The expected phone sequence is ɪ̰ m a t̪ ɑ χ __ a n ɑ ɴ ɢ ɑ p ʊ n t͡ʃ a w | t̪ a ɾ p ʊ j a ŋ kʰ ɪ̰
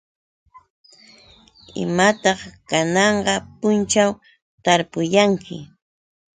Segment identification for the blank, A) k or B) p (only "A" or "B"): A